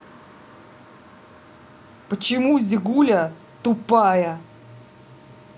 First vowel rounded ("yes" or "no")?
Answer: no